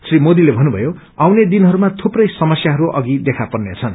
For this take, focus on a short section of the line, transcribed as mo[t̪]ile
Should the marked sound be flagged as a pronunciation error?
yes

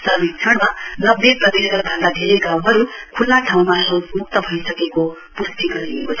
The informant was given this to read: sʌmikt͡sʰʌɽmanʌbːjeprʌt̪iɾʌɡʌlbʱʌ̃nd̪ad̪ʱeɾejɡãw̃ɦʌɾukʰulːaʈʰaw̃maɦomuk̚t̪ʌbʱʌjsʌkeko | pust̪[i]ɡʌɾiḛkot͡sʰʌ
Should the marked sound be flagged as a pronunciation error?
no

